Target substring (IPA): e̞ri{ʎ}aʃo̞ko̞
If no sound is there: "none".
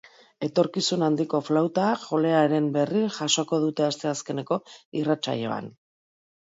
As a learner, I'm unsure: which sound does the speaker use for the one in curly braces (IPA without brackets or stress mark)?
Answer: ʝ